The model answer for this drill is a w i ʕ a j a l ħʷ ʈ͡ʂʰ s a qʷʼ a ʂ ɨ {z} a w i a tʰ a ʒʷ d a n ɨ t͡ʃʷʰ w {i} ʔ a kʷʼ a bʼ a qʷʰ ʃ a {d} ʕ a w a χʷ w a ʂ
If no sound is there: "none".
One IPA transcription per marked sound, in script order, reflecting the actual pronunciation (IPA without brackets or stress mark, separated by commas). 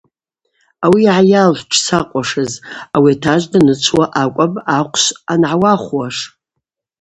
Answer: z, a, n